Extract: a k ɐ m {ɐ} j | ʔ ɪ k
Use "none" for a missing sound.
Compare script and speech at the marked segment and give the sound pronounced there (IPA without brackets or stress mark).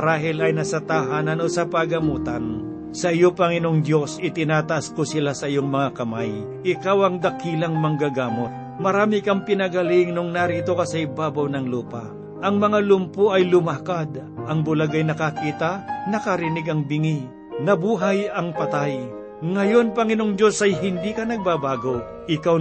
a